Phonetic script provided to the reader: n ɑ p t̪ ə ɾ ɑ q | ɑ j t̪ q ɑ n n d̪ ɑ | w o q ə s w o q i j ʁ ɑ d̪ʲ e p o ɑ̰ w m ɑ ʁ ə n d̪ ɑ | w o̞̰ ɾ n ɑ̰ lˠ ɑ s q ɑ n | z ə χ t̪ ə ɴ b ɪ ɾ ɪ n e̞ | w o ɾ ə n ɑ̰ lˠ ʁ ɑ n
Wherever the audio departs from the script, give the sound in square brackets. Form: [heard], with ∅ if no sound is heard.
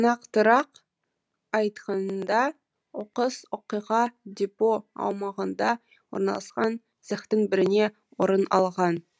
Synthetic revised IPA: n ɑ [q] t̪ ə ɾ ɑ q | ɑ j t̪ q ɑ n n d̪ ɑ | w o q ə s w o q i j ʁ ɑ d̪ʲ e p o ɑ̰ w m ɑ ʁ ə n d̪ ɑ | w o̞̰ ɾ n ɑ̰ lˠ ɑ s q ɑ n | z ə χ t̪ ə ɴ b ɪ ɾ ɪ n e̞ | w o ɾ ə n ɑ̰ lˠ ʁ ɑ n